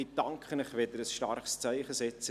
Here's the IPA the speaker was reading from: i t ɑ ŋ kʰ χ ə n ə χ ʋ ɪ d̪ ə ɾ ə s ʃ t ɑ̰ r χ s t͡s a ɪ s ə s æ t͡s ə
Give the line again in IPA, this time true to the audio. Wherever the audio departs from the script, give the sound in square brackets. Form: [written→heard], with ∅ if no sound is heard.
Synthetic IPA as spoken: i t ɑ ŋ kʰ χ ə n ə χ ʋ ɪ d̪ ə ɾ ə s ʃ t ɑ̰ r χ s t͡s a ɪ [s→χ] ə s [æ→ɛ] t͡s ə